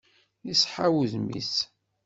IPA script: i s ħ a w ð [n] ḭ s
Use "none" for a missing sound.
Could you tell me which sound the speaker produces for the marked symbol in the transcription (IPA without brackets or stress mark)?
m